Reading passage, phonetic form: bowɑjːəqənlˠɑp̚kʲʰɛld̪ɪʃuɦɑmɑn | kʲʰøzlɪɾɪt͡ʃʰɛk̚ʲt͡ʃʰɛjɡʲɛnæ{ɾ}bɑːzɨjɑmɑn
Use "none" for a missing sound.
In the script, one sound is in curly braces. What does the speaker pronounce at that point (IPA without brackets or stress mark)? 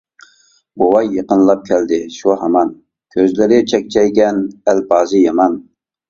l